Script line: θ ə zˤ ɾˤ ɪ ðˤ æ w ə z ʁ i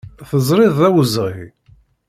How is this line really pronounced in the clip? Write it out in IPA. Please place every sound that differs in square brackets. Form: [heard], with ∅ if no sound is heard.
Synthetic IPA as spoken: θ ə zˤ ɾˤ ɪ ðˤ æ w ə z ʁ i

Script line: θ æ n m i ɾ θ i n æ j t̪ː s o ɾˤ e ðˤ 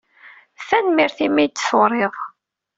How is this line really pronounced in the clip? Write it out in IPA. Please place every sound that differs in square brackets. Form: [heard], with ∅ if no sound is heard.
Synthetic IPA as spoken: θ æ n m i ɾ θ i [m] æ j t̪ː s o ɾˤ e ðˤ

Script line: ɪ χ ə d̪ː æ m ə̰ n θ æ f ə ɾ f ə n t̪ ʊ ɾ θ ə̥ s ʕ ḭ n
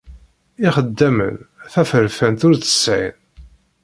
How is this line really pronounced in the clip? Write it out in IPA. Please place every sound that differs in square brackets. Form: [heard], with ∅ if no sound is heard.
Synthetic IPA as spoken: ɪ χ ə d̪ː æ m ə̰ n θ æ f ə ɾ f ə n t̪ ʊ ɾ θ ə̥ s ʕ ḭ n

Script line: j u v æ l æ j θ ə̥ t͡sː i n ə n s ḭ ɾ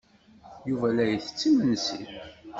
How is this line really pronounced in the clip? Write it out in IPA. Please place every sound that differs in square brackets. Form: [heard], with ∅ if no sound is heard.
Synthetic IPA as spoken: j u v æ l æ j θ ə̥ t͡sː i [m] ə n s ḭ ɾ

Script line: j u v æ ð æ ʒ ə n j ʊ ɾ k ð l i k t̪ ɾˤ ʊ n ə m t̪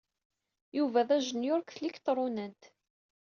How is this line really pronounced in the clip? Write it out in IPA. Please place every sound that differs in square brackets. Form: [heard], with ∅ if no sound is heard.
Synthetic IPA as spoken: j u v æ ð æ ʒ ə n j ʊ ɾ k [θ] l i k t̪ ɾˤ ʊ n ə [n] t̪

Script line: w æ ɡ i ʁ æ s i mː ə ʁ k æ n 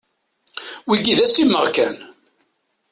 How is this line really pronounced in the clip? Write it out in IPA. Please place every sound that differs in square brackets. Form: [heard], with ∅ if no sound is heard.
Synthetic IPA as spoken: w [i] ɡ i [ð] æ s i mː ə ʁ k æ n

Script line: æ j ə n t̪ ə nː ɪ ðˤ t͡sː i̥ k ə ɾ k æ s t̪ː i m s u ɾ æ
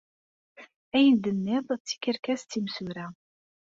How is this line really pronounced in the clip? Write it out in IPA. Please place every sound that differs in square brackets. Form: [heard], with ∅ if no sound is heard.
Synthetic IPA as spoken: æ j ə n [d̪] ə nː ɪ ðˤ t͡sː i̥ k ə ɾ k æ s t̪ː i m s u ɾ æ

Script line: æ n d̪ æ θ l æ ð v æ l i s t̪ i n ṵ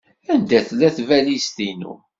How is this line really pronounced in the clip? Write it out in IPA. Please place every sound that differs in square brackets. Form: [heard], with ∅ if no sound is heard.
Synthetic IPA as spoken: æ n d̪ æ θ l æ [θ] v æ l i s t̪ i n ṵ

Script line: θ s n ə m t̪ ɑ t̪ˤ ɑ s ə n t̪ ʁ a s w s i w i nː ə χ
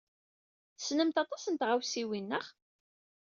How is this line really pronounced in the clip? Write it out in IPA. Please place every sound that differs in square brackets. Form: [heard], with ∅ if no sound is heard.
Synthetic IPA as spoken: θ s n ə m t̪ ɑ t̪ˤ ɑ s ə n t̪ ʁ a [∅] w s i w i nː ə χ

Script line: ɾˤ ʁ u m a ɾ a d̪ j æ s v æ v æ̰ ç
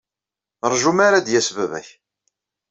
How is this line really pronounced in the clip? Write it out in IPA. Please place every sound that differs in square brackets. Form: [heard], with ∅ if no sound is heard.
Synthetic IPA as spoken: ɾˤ [ʒ] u m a ɾ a d̪ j æ s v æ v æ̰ ç

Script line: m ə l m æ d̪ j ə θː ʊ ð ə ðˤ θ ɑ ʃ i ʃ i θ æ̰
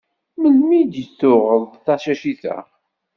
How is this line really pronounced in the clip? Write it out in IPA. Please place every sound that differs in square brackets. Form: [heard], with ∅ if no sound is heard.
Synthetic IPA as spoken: m ə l m [i] d̪ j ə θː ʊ [ʁ] ə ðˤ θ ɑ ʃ [æ] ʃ i θ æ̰

